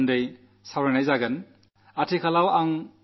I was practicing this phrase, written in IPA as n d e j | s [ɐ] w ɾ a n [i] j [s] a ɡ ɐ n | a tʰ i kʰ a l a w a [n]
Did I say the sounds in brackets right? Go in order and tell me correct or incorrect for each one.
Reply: incorrect: a, incorrect: a, incorrect: z, incorrect: ŋ

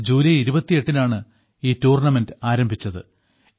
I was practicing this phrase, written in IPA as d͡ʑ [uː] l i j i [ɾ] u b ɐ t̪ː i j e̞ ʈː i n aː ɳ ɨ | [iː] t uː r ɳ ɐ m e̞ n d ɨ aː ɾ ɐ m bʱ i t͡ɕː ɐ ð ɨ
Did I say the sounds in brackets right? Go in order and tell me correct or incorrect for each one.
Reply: correct, correct, correct

